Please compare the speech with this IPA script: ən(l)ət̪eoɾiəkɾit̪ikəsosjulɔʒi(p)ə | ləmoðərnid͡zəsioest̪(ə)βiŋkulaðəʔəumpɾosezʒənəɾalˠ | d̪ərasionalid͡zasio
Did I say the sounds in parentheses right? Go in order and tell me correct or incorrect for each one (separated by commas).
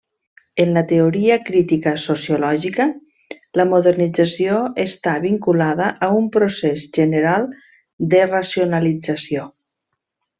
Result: correct, incorrect, incorrect